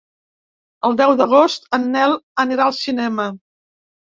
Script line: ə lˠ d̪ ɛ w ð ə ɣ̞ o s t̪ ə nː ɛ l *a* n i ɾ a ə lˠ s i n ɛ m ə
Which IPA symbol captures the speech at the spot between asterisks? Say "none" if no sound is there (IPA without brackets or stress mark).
ə